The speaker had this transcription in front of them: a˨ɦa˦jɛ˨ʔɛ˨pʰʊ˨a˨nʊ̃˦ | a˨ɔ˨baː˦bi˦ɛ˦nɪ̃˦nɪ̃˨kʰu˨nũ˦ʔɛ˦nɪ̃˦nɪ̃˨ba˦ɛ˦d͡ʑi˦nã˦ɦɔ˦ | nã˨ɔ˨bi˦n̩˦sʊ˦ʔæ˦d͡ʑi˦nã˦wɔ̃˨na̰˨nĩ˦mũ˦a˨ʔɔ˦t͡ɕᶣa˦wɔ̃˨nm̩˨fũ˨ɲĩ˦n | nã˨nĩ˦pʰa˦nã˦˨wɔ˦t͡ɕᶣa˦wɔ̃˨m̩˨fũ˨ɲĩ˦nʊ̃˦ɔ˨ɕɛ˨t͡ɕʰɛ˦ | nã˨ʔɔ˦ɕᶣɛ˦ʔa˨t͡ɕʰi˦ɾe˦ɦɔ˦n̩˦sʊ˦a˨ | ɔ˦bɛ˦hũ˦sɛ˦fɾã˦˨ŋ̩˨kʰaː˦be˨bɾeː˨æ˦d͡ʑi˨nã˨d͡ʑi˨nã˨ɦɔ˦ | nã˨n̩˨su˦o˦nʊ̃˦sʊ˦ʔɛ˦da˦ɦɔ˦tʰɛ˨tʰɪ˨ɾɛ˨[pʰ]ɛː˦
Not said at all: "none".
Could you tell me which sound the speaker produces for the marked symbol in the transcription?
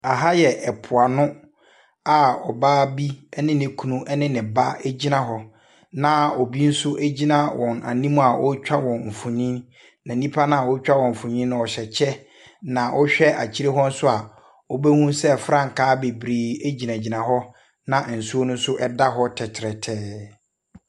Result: tʰ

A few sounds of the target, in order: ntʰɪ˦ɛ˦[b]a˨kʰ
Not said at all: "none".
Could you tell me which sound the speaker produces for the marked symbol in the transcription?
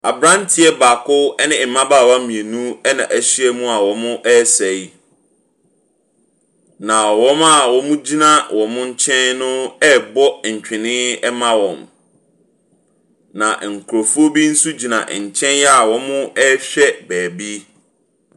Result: b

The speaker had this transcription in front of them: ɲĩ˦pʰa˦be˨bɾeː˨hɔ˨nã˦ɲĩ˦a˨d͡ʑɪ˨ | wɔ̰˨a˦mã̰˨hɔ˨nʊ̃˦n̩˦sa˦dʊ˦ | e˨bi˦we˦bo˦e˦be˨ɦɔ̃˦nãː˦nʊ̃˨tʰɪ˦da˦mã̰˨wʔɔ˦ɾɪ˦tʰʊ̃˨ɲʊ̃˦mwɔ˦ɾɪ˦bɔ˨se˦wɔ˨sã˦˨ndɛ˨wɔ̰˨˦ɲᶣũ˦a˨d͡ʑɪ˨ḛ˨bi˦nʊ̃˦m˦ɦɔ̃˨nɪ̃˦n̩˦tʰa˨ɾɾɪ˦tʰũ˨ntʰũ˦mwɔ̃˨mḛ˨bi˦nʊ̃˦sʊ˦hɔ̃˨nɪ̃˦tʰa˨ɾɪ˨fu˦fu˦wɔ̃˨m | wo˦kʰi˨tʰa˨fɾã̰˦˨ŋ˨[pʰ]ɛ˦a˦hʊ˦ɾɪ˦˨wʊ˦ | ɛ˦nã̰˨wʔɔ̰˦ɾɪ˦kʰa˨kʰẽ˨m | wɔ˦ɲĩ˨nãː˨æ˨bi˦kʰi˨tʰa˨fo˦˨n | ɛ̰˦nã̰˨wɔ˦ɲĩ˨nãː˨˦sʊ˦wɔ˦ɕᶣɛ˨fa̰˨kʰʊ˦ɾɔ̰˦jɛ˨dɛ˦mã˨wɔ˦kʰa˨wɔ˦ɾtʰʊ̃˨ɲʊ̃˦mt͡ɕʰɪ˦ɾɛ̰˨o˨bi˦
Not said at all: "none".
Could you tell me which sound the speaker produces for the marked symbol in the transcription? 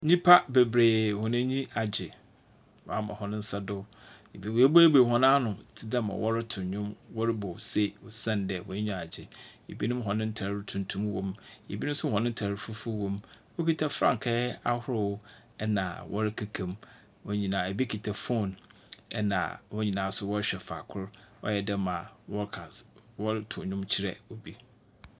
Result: kʰ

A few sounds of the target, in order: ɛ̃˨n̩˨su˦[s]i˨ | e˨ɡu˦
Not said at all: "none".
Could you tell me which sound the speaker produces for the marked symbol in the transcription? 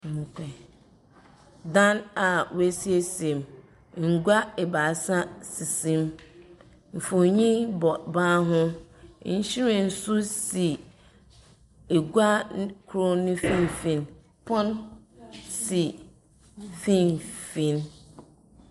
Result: s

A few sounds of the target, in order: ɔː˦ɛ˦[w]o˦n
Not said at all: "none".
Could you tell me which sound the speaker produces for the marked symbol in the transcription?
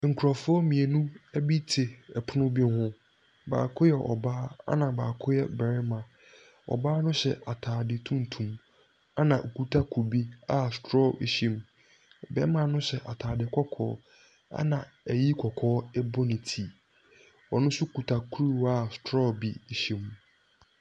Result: b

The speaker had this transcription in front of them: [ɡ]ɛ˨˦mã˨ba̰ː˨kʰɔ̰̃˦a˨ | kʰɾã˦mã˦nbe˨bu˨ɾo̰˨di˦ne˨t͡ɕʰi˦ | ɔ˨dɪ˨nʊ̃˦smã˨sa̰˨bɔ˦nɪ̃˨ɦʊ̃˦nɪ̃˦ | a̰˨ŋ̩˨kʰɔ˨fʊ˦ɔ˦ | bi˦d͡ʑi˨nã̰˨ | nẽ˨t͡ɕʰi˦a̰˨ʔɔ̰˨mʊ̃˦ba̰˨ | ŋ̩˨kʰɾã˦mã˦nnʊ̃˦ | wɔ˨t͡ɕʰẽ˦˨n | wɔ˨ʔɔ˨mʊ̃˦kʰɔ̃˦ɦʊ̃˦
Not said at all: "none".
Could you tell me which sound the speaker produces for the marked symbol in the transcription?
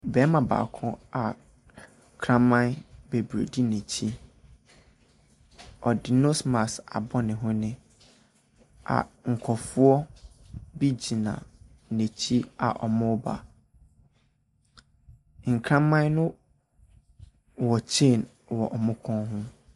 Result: b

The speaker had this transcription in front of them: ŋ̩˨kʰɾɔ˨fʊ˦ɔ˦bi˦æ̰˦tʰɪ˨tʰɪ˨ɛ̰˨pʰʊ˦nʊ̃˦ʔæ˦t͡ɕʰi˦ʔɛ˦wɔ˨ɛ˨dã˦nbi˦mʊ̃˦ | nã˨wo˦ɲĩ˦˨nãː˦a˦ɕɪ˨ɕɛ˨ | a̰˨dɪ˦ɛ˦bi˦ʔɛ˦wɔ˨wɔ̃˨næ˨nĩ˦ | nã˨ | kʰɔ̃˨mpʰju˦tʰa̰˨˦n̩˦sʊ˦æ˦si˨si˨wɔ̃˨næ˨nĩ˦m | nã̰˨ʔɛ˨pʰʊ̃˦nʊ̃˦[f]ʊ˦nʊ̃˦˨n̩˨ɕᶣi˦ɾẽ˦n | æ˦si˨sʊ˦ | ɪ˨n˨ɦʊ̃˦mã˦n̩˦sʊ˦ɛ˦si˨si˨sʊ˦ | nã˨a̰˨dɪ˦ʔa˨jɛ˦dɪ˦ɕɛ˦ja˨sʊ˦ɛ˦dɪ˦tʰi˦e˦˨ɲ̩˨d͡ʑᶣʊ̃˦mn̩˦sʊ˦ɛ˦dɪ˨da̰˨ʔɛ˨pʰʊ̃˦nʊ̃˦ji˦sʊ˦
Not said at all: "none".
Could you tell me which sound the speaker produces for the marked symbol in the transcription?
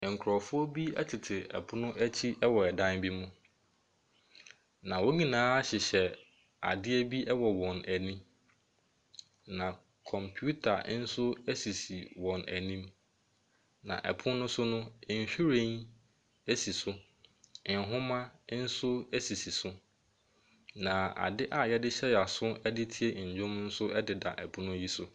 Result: s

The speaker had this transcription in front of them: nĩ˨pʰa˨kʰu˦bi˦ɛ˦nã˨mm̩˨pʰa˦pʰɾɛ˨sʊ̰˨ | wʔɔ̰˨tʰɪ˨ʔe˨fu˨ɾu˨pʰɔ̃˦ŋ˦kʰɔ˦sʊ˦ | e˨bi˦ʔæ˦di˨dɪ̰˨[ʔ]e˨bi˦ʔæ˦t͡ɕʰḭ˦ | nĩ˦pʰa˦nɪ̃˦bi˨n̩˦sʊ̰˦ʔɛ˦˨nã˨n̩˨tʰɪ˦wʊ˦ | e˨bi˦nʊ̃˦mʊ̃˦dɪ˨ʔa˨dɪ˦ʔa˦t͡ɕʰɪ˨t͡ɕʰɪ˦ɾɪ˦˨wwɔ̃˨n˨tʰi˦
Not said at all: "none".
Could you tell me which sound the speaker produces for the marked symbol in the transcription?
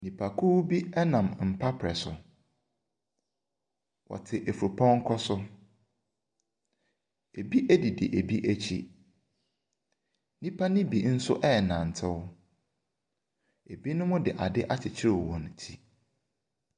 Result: ʔ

